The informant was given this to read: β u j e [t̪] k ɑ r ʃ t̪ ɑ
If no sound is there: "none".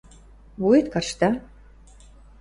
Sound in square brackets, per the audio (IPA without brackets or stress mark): t̪